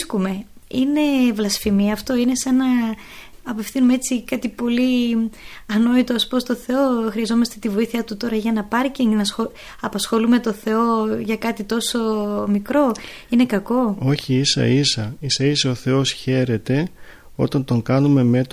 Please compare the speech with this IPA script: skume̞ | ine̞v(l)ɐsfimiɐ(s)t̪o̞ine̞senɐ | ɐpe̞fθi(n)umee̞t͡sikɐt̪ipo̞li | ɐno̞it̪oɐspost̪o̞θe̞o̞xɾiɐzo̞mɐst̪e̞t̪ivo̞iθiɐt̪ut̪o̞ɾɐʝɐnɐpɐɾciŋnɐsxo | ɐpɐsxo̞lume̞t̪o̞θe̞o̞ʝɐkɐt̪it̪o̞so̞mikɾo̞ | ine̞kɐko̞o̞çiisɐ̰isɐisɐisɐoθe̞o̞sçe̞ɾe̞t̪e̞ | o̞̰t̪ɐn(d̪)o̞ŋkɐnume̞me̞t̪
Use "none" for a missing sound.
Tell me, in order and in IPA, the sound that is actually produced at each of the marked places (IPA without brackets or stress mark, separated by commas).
l, f, n, t̪